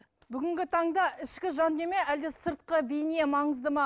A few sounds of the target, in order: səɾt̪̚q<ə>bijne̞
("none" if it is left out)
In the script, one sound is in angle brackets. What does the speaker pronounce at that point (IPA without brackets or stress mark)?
ə